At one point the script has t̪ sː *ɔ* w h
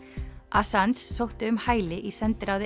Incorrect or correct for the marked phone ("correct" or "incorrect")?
incorrect